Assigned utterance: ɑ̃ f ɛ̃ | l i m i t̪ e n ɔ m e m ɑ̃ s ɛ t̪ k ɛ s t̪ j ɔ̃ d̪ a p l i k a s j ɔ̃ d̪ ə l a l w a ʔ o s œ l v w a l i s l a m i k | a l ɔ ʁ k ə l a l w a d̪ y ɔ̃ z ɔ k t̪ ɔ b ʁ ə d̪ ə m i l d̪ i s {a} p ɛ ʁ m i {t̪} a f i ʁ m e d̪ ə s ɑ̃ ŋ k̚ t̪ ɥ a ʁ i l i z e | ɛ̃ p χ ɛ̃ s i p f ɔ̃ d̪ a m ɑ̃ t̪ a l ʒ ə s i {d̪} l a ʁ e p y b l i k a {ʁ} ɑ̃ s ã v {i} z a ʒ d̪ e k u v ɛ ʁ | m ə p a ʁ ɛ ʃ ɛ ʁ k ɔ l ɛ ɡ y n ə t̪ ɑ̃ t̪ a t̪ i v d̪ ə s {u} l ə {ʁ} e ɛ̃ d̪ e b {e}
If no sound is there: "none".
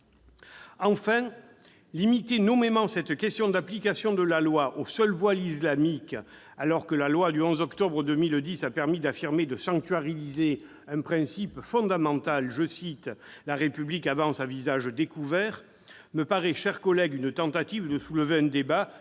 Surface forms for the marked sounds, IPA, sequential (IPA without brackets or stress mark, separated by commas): a, d̪, t̪, v, i, u, v, a